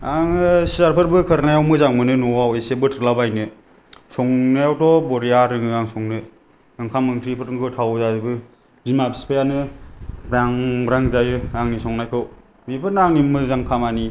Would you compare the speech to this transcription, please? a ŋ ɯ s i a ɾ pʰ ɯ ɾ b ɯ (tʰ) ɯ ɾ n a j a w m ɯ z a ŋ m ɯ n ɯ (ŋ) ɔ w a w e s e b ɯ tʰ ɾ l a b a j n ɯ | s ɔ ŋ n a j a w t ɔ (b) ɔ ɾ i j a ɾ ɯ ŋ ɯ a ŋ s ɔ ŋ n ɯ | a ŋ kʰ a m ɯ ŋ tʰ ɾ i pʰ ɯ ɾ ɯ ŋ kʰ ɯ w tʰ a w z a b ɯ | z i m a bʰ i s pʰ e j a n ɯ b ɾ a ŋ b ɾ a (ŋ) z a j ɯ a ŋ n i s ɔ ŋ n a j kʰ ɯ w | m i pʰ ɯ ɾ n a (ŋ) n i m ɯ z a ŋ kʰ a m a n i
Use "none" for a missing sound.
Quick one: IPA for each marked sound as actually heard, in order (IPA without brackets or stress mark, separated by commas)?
kʰ, n, b, ŋ, ŋ